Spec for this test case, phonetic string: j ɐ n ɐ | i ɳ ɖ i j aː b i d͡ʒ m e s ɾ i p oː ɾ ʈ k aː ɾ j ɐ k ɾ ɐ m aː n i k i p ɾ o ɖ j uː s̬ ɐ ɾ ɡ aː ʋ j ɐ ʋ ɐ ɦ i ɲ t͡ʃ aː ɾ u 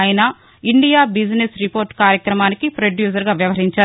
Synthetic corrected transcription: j ɐ n ɐ | i ɳ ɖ i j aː b i d͡ʒ n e s ɾ i p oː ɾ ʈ k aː ɾ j ɐ k ɾ ɐ m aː n i k i p ɾ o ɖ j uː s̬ ɐ ɾ ɡ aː ʋ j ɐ ʋ ɐ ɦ i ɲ t͡ʃ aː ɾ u

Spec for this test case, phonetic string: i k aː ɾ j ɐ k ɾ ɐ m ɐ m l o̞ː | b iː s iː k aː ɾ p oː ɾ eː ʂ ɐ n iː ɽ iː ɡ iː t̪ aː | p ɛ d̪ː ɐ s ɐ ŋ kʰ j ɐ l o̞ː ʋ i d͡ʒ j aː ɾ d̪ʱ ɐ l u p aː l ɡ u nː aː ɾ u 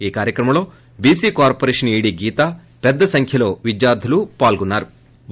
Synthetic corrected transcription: iː k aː ɾ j ɐ k ɾ ɐ m ɐ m l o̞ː | b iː s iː k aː ɾ p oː ɾ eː ʂ ɐ n iː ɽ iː ɡ iː t̪ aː | p ɛ d̪ː ɐ s ɐ ŋ kʰ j ɐ l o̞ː ʋ i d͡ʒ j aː ɾ d̪ʱ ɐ l u p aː l ɡ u nː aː ɾ u

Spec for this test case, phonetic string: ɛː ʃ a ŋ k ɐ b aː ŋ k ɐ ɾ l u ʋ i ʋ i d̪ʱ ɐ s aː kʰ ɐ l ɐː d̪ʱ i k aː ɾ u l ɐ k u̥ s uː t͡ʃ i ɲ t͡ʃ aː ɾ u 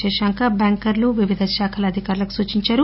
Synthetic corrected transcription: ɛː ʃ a ŋ k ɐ b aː ŋ k ɐ ɾ l u ʋ i ʋ i d̪ʱ ɐ ʃ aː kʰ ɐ l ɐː d̪ʱ i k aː ɾ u l ɐ k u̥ s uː t͡ʃ i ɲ t͡ʃ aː ɾ u

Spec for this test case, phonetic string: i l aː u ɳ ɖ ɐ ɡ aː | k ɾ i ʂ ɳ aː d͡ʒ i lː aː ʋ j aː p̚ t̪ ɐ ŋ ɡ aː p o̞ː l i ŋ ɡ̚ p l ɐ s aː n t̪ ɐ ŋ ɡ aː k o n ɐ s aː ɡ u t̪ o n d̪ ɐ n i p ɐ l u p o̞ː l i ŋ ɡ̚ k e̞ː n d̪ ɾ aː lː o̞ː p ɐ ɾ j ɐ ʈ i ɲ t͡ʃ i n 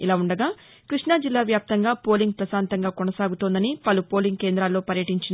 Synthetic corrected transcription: i l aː u ɳ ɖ ɐ ɡ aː | k ɾ i ʂ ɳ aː d͡ʒ i lː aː ʋ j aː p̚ t̪ ɐ ŋ ɡ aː p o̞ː l i ŋ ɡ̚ p ɾ ɐ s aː n t̪ ɐ ŋ ɡ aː k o n ɐ s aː ɡ u t̪ o n d̪ ɐ n i p ɐ l u p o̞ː l i ŋ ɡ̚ k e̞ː n d̪ ɾ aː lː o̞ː p ɐ ɾ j ɐ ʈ i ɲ t͡ʃ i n

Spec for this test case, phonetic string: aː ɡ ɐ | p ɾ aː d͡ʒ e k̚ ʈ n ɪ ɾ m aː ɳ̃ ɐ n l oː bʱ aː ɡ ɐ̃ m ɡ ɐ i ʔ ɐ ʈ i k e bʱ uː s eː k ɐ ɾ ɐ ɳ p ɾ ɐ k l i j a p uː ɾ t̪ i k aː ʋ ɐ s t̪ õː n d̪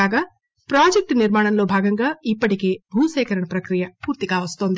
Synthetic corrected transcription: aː ɡ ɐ | p ɾ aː d͡ʒ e k̚ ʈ n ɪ ɾ m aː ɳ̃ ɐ n l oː bʱ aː ɡ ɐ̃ ŋ ɡ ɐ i p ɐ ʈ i k e bʱ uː s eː k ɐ ɾ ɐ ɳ p ɾ ɐ k ɾ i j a p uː ɾ t̪ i k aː ʋ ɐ s t̪ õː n d̪

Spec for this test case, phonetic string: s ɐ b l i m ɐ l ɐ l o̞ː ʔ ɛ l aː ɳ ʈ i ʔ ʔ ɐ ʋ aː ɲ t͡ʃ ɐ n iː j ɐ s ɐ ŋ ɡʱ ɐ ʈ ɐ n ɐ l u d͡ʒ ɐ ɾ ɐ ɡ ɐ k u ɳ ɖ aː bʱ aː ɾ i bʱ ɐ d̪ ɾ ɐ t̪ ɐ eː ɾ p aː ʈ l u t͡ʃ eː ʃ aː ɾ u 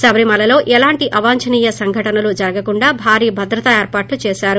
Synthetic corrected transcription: s ɐ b ɾ i m ɐ l ɐ l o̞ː ʔ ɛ l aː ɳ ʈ i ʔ ʔ ɐ ʋ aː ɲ t͡ʃ ɐ n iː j ɐ s ɐ ŋ ɡʱ ɐ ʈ ɐ n ɐ l u d͡ʒ ɐ ɾ ɐ ɡ ɐ k u ɳ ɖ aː bʱ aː ɾ iː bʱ ɐ d̪ ɾ ɐ t̪ ɐ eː ɾ p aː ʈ l u t͡ʃ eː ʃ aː ɾ u

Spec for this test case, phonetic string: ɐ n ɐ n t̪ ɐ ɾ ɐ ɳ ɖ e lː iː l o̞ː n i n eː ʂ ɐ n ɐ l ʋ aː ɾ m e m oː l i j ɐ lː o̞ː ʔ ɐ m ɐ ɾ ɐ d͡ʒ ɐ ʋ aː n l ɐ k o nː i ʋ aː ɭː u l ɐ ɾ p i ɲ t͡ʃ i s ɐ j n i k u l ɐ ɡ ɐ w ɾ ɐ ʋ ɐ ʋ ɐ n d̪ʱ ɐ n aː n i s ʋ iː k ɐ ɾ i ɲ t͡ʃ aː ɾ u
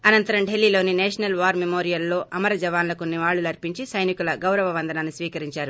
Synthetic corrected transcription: ɐ n ɐ n t̪ ɐ ɾ ɐ m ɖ e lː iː l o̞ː n i n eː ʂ ɐ n ɐ l ʋ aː ɾ m e m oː ɾ i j ɐ lː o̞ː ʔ ɐ m ɐ ɾ ɐ d͡ʒ ɐ ʋ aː n l ɐ k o nː i ʋ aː ɭː u l ɐ ɾ p i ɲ t͡ʃ i s ɐ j n i k u l ɐ ɡ ɐ w ɾ ɐ ʋ ɐ ʋ ɐ n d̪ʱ ɐ n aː n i s ʋ iː k ɐ ɾ i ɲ t͡ʃ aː ɾ u

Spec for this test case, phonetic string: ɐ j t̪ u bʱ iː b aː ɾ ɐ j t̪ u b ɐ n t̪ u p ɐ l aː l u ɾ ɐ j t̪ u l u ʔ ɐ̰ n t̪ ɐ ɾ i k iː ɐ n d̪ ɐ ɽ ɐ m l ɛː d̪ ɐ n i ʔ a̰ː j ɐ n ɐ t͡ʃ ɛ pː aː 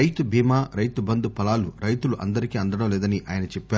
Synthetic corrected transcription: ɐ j t̪ u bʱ iː m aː ɾ ɐ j t̪ u b ɐ n d̪ u p ɐ l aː l u ɾ ɐ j t̪ u l u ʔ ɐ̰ n d̪ ɐ ɾ i k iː ɐ n d̪ ɐ ɽ ɐ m l ɛː d̪ ɐ n i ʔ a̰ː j ɐ n ɐ t͡ʃ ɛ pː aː

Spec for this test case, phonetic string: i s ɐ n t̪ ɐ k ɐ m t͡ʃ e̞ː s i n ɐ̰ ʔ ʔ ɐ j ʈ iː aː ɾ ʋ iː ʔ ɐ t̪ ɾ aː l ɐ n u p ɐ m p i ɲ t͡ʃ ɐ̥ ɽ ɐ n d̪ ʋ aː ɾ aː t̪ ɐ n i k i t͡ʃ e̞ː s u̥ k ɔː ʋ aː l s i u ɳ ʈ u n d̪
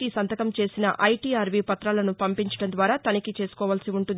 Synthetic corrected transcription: i s ɐ n t̪ ɐ k ɐ m t͡ʃ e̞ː s i n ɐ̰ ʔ ʔ ɐ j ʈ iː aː ɾ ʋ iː p ɐ t̪ ɾ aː l ɐ n u p ɐ m p i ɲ t͡ʃ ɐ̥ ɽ ɐ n d̪ ʋ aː ɾ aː t̪ ɐ n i k i t͡ʃ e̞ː s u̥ k ɔː ʋ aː l s i u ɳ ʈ u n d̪

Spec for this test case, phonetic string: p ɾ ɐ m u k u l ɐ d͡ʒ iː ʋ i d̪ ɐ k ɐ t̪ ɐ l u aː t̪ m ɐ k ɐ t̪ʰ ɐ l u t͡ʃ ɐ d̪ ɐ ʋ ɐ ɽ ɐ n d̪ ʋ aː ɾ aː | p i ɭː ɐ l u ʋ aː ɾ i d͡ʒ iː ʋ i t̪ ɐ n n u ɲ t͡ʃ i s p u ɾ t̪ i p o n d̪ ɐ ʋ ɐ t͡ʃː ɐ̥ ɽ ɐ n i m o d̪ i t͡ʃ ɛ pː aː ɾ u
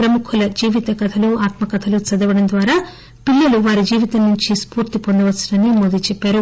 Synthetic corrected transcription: p ɾ ɐ m u kʰ u l ɐ d͡ʒ iː ʋ i t̪ ɐ k ɐ t̪ʰ ɐ l u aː t̪ m ɐ k ɐ t̪ʰ ɐ l u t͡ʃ ɐ d̪ ɐ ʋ ɐ ɽ ɐ n d̪ ʋ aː ɾ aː | p i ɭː ɐ l u ʋ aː ɾ i d͡ʒ iː ʋ i t̪ ɐ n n u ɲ t͡ʃ i s p uː ɾ t̪ i p o n d̪ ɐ ʋ ɐ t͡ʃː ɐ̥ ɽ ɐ n i m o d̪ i t͡ʃ ɛ pː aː ɾ u

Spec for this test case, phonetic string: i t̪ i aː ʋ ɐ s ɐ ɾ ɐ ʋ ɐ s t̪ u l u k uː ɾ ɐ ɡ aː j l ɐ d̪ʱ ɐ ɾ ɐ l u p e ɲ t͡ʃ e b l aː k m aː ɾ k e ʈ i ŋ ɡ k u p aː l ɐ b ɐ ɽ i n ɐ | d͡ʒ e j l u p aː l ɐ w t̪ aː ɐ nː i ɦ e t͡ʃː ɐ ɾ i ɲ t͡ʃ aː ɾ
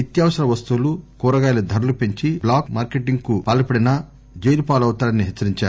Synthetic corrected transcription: i t̪ j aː ʋ ɐ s ɐ ɾ ɐ ʋ ɐ s t̪ u l u k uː ɾ ɐ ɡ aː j l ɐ d̪ʱ ɐ ɾ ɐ l u p e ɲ t͡ʃ i b l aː k m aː ɾ k e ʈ i ŋ ɡ k u p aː l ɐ p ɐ ɽ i n ɐ | d͡ʒ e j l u p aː l ɐ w t̪ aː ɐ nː i ɦ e t͡ʃː ɐ ɾ i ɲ t͡ʃ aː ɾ

